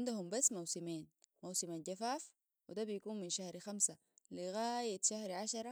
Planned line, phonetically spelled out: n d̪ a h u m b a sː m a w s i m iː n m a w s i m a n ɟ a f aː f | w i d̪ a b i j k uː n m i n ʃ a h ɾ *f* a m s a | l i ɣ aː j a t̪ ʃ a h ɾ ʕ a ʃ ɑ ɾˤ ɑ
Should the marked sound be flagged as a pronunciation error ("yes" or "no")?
yes